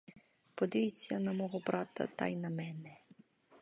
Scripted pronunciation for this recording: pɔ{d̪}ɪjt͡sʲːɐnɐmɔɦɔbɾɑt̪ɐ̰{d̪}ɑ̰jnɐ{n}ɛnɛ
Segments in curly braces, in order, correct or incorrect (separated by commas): correct, incorrect, incorrect